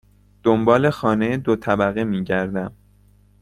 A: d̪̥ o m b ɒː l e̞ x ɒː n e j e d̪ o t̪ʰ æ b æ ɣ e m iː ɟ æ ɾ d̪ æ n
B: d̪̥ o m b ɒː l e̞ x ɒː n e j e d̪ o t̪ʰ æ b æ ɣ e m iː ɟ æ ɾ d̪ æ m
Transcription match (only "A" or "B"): B